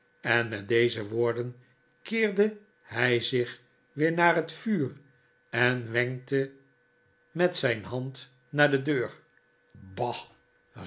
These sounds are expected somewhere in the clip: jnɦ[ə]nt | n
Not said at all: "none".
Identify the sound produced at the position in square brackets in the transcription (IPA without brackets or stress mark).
ɑ